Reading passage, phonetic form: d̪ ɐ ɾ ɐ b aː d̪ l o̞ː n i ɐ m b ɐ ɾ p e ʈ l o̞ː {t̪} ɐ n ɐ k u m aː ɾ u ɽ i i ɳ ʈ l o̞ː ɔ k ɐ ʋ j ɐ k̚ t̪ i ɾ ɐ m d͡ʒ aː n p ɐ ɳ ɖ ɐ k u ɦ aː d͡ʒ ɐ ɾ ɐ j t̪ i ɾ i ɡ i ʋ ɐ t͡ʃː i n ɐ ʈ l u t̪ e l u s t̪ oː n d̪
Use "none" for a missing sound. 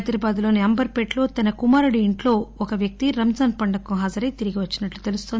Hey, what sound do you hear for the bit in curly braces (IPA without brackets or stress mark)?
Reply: t̪